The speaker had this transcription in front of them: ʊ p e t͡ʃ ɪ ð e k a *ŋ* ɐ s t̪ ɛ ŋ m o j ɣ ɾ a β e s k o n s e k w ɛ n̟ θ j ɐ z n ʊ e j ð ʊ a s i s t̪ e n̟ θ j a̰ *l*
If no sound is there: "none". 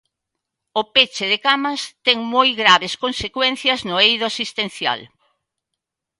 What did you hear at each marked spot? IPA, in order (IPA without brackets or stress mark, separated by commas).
m, l